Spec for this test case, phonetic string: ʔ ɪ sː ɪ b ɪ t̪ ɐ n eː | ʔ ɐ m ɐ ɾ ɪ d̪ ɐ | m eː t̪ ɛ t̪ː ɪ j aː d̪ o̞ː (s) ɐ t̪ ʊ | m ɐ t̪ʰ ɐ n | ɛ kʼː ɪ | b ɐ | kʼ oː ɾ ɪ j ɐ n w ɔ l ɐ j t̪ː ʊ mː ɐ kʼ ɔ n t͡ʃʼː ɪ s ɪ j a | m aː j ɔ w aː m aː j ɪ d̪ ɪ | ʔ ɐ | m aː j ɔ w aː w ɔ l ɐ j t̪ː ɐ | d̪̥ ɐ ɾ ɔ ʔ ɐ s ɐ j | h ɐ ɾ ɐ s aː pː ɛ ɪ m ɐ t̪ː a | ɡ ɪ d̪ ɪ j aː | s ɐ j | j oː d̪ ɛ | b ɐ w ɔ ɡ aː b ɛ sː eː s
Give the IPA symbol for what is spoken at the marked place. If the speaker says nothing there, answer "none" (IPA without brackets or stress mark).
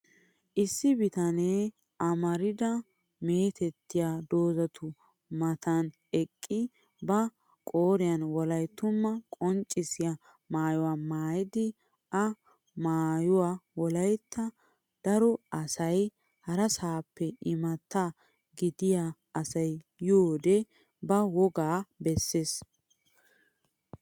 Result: z